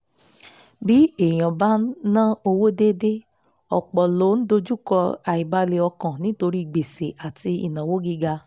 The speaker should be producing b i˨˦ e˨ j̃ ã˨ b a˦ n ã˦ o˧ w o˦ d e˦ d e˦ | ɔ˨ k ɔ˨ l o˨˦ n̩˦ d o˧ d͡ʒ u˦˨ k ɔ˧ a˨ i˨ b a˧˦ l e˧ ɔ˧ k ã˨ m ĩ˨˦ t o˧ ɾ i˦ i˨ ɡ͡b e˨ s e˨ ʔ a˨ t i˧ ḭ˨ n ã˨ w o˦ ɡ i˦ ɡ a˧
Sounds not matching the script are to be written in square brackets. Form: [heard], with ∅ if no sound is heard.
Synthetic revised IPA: b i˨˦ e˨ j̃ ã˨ b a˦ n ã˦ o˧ w o˦ d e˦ d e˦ | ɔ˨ [k͡p] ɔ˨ l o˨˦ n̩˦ d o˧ d͡ʒ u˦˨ k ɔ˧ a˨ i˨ b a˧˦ l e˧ ɔ˧ k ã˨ [n] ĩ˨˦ t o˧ ɾ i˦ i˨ ɡ͡b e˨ s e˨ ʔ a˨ t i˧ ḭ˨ n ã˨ w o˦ ɡ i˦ ɡ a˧

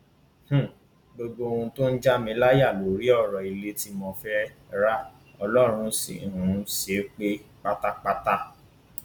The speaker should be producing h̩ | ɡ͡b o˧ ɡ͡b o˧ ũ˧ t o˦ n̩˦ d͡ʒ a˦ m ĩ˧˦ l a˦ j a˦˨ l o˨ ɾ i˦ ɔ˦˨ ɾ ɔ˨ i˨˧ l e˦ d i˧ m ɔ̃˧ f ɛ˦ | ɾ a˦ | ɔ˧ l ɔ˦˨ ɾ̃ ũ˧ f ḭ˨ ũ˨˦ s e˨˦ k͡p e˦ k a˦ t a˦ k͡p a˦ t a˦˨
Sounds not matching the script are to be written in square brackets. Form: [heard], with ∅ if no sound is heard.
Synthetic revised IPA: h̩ | ɡ͡b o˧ ɡ͡b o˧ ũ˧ t o˦ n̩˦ d͡ʒ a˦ m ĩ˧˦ l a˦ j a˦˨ l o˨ ɾ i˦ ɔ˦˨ ɾ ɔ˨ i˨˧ l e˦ [t] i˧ m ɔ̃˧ f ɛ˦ | ɾ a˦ | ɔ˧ l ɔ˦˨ ɾ̃ ũ˧ [s] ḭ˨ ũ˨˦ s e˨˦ k͡p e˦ [k͡p] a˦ t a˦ k͡p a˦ t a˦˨

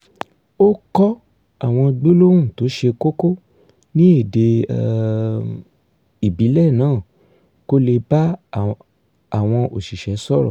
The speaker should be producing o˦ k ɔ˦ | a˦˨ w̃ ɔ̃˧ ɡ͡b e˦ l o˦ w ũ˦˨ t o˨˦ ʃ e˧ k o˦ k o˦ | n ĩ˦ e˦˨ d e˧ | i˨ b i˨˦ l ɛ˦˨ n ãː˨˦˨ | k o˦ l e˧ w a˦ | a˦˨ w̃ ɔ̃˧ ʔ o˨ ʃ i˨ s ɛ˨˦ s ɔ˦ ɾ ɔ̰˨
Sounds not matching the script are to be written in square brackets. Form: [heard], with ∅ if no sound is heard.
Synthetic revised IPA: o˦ k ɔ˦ | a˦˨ w̃ ɔ̃˧ ɡ͡b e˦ l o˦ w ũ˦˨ t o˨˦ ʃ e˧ k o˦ k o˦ | n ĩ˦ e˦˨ d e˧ | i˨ b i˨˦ l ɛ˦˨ n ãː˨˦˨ | k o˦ l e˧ [b] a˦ | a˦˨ w̃ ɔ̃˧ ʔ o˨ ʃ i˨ [ʃ] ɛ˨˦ s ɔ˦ ɾ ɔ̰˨

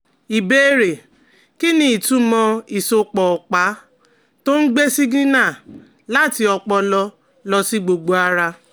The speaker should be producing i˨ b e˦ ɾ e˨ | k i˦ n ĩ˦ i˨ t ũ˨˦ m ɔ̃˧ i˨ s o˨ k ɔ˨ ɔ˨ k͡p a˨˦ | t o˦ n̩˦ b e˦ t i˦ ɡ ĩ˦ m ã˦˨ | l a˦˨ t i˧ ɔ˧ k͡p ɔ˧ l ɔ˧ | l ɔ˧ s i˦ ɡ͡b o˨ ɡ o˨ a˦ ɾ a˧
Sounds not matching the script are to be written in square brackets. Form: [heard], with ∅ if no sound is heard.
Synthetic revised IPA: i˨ b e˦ ɾ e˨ | k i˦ n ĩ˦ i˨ t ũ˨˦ m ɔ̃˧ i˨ s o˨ [k͡p] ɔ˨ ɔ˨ k͡p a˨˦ | t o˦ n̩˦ [ɡ͡b] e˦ [s] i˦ ɡ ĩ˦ [n] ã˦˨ | l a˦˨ t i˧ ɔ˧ k͡p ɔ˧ l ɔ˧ | l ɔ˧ s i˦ ɡ͡b o˨ [ɡ͡b] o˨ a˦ ɾ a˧

